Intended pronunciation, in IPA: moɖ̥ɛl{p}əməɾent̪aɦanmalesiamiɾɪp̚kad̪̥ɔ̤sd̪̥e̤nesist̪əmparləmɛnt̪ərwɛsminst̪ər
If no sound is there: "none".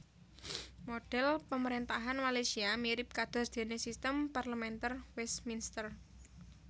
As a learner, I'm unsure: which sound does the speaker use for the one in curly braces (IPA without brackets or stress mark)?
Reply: p